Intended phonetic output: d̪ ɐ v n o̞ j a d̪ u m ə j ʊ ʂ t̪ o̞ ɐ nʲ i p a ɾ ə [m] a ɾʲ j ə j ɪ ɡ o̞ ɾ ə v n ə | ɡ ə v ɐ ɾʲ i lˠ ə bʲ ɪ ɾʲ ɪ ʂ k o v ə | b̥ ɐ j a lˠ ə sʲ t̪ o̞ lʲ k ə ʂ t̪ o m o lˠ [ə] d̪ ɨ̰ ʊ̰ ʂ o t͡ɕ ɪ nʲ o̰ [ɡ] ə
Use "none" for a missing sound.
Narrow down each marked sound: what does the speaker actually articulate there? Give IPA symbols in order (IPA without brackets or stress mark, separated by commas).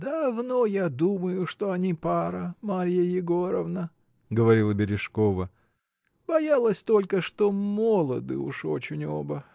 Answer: m, ə, b